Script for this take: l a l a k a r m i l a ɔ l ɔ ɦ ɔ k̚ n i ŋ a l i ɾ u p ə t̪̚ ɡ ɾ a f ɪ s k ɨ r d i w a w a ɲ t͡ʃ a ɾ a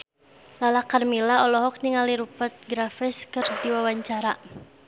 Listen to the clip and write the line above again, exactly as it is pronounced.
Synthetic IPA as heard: l a l a k a r m i l a ɔ l ɔ ɦ ɔ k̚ n i ŋ a l i ɾ u p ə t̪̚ ɡ ɾ a f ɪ s k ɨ r d i w a w a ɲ t͡ʃ a ɾ a